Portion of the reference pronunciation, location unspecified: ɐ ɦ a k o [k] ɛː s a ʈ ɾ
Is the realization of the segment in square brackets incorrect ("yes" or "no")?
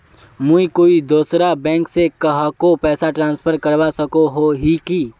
yes